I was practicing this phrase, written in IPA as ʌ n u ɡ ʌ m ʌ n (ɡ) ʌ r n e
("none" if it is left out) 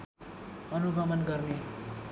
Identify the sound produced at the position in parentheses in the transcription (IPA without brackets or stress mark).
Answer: ɡ